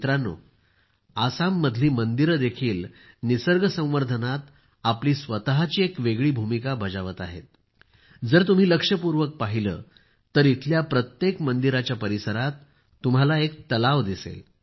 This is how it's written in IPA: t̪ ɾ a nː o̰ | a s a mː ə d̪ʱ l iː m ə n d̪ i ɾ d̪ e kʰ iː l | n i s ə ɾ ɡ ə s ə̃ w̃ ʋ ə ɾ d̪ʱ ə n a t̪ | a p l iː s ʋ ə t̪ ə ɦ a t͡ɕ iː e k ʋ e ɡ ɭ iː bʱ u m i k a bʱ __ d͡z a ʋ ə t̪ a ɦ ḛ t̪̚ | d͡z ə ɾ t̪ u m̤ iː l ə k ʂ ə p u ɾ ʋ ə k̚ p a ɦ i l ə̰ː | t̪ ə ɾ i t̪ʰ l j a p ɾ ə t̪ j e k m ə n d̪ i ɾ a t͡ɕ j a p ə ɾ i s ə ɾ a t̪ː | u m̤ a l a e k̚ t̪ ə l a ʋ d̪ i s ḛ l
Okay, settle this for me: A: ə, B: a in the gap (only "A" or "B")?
A